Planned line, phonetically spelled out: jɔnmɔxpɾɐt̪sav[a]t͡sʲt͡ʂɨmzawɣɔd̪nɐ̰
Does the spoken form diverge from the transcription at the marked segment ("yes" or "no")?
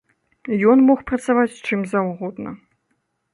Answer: no